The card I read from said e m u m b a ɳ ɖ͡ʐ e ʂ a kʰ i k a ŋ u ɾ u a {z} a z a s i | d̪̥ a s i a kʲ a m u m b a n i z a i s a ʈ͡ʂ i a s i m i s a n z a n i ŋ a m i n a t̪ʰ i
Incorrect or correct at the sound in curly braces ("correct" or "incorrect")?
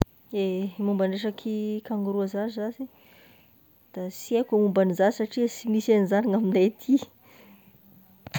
correct